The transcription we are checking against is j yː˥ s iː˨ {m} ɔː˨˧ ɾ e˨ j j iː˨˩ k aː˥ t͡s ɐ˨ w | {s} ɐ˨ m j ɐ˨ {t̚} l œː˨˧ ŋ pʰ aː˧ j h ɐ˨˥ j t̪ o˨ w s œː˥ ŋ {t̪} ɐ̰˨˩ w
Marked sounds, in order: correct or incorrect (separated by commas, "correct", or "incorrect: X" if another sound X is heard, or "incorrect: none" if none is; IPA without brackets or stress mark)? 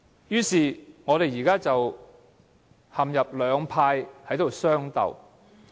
incorrect: ŋ, incorrect: h, incorrect: p̚, correct